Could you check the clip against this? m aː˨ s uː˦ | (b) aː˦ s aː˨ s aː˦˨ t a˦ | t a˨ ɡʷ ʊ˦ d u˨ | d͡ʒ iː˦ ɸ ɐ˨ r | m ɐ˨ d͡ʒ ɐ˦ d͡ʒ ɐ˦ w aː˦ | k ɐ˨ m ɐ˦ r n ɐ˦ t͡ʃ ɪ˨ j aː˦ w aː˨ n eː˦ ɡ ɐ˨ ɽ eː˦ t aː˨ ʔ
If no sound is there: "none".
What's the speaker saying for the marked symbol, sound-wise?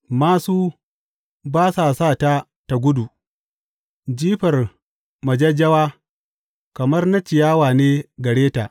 b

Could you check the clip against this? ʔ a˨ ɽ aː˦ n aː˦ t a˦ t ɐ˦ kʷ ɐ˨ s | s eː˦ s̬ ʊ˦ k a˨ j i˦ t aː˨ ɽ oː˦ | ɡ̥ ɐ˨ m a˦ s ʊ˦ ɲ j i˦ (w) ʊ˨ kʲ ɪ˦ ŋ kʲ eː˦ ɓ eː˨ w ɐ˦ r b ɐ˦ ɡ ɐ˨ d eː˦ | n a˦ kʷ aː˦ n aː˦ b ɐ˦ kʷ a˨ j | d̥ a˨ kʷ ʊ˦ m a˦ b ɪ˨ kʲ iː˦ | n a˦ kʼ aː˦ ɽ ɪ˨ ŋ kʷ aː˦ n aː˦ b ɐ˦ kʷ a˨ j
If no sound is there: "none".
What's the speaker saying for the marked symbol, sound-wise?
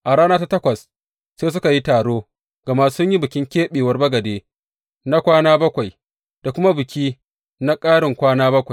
b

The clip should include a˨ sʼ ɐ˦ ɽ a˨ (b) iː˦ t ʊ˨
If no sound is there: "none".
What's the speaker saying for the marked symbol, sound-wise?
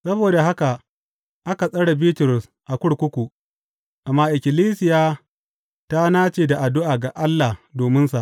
b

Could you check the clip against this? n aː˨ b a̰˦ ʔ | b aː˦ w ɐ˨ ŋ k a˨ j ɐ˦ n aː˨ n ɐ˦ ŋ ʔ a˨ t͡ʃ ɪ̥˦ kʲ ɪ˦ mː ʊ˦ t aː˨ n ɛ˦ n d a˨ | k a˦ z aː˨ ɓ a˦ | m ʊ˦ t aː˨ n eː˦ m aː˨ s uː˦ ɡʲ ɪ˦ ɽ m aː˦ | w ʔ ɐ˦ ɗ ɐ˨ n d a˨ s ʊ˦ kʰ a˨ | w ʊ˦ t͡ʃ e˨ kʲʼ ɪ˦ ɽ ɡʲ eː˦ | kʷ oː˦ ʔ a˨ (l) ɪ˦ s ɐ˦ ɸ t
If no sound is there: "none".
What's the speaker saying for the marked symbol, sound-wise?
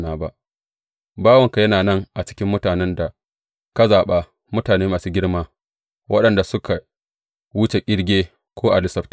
l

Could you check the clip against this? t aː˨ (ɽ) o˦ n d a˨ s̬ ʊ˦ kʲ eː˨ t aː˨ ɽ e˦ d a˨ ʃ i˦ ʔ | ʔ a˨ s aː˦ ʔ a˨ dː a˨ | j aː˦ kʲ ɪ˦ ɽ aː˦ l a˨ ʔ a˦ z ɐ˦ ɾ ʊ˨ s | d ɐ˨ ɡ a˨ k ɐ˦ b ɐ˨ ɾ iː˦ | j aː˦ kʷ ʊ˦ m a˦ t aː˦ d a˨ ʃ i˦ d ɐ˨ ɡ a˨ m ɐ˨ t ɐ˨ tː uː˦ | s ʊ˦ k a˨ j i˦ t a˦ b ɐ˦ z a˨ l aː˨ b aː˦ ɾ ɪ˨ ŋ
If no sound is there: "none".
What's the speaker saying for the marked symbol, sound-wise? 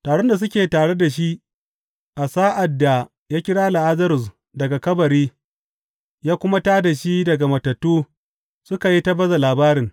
ɽ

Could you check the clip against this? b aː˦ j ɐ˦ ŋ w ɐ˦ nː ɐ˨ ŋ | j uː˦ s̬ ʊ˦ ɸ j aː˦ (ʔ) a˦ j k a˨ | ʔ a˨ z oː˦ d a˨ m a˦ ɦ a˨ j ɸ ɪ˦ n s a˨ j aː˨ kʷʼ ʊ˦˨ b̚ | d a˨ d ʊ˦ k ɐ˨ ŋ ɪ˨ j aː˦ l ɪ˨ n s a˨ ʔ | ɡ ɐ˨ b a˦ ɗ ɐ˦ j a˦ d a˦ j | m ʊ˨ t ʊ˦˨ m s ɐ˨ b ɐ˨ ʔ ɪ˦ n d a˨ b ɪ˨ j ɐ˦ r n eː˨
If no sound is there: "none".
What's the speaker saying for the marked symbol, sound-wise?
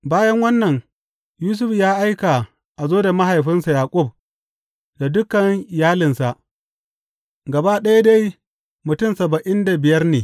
ʔ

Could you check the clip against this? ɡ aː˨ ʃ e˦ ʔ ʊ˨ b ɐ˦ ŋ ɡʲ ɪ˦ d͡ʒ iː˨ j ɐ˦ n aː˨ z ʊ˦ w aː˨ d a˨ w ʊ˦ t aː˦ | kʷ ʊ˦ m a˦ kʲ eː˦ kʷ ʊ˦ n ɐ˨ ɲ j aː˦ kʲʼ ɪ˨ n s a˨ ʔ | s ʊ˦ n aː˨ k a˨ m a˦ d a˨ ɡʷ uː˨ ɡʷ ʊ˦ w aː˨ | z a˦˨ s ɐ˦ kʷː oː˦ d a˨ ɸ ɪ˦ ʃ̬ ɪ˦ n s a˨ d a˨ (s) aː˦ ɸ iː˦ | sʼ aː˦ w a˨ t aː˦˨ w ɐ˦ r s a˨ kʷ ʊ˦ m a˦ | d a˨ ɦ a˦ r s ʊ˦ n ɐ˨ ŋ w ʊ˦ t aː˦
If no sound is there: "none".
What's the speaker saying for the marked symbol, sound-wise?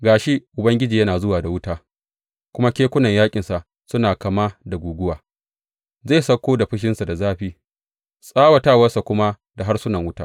z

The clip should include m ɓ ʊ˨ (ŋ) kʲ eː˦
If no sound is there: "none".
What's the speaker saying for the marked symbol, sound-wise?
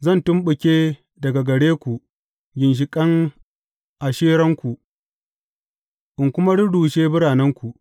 none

